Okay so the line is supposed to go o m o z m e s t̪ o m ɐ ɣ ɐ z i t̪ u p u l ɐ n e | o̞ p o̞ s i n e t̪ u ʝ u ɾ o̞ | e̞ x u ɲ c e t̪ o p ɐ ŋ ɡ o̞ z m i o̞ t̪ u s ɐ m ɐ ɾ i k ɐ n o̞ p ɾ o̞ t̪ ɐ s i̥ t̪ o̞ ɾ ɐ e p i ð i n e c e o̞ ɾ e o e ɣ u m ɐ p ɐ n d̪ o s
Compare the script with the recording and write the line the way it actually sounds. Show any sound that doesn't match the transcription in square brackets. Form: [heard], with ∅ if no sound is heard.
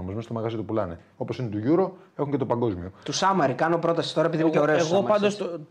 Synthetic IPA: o m o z m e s t̪ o m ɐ ɣ ɐ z i t̪ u p u l ɐ n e | o̞ p o̞ s i n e t̪ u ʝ u ɾ o̞ | e̞ x u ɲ c e t̪ o p ɐ ŋ ɡ o̞ z m i o̞ t̪ u s ɐ m ɐ ɾ i k ɐ n o̞ p ɾ o̞ t̪ ɐ s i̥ t̪ o̞ ɾ ɐ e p i ð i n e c e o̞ ɾ e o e ɣ [o] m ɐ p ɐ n d̪ o s